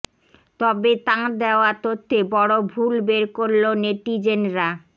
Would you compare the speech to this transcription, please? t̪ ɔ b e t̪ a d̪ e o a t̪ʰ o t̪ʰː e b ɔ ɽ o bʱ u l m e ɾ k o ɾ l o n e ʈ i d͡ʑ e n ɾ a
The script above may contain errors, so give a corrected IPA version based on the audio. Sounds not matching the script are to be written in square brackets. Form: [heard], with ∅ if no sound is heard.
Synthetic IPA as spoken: t̪ ɔ b e t̪ a d̪ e o a [t̪] o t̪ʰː e b ɔ ɽ o bʱ u l [b] e ɾ k o ɾ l o n e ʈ i d͡ʑ e n ɾ a